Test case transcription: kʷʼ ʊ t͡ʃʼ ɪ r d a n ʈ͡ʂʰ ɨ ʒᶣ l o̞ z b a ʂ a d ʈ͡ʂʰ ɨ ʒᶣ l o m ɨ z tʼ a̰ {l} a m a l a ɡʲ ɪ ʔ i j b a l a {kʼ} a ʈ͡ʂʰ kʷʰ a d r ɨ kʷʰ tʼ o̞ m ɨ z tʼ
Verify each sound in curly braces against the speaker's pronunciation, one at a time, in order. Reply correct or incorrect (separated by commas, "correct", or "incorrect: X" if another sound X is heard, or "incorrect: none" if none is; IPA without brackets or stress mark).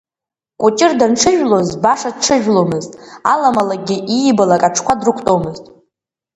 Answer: correct, correct